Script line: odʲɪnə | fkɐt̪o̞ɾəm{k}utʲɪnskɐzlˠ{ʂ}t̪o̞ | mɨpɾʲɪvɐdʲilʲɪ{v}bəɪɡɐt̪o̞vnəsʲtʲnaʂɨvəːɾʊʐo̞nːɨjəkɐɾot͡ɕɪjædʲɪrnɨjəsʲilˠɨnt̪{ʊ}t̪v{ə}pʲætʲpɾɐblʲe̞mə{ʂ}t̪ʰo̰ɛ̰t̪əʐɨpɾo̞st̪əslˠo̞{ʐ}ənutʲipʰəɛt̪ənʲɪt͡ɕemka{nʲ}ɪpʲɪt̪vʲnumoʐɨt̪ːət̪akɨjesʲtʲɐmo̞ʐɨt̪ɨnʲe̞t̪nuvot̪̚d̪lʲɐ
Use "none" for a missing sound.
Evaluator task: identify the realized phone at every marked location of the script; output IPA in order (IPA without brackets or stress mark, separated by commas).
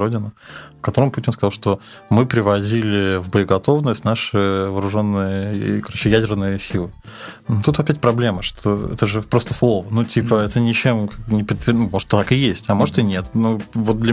p, ʂ, v, u, ɐ, ʂ, v, nʲ